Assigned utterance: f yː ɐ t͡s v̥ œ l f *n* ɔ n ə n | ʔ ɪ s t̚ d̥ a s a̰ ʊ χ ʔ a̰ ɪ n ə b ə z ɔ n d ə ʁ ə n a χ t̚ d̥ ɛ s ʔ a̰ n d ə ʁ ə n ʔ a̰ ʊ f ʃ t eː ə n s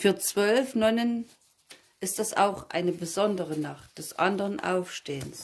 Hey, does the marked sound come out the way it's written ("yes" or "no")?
yes